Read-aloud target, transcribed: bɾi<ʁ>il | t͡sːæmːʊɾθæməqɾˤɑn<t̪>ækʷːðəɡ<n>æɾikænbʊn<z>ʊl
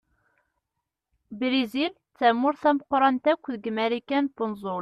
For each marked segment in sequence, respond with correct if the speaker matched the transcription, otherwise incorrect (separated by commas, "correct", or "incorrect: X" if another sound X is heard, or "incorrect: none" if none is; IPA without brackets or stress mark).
incorrect: z, correct, incorrect: m, correct